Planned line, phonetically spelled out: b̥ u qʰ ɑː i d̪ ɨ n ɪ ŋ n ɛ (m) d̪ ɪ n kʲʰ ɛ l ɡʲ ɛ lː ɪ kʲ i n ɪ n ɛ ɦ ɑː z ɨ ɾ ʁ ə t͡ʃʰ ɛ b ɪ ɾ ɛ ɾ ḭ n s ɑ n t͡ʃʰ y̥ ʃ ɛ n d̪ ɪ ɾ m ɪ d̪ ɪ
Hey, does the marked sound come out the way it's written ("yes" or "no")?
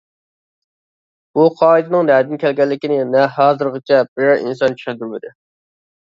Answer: no